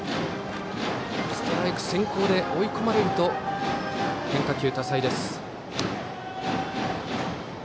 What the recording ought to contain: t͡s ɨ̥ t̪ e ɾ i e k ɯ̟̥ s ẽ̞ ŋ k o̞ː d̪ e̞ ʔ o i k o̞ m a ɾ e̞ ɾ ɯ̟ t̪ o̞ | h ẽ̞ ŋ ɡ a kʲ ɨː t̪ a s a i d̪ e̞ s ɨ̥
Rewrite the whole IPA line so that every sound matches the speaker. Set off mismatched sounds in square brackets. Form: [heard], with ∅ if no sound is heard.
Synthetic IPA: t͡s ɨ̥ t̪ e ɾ [a] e k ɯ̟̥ s ẽ̞ ŋ k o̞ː d̪ e̞ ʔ o i k o̞ m a ɾ e̞ ɾ ɯ̟ t̪ o̞ | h ẽ̞ ŋ [k] a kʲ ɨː t̪ a s a i d̪ e̞ s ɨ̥